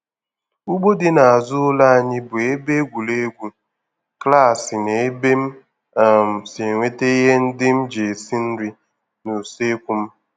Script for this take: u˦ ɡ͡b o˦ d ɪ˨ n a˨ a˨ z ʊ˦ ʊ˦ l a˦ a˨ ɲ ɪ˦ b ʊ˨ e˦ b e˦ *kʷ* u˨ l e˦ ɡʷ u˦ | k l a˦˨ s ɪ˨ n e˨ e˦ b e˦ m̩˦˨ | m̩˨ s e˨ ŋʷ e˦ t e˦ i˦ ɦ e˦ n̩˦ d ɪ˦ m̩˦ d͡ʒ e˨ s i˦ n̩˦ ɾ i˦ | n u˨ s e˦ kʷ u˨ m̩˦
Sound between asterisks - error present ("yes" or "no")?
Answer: yes